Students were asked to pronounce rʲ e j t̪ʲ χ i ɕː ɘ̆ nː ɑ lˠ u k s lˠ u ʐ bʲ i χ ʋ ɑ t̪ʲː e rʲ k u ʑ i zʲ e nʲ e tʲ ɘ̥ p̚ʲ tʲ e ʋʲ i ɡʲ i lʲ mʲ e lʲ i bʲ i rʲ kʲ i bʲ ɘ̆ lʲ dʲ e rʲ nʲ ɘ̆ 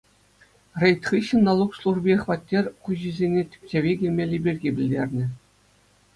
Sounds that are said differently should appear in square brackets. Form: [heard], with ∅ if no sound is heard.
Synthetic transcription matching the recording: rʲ e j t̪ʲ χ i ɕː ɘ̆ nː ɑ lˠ u k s lˠ u ʐ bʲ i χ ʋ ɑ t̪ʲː e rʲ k u ʑ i zʲ e nʲ e tʲ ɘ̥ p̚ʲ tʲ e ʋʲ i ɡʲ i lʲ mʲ e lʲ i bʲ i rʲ [ɡʲ] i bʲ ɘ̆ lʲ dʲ e rʲ nʲ ɘ̆